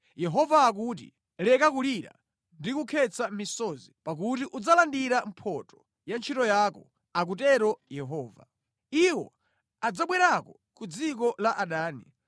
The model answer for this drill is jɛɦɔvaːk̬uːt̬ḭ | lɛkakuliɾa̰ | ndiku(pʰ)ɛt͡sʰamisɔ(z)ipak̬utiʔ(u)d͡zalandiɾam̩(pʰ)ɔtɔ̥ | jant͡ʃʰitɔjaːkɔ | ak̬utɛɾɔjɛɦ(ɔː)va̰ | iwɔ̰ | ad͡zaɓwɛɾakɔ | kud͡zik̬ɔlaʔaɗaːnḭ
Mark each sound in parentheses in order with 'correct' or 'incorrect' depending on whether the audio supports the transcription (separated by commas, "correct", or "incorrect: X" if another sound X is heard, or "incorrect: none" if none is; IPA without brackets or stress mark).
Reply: incorrect: kʰ, correct, correct, correct, correct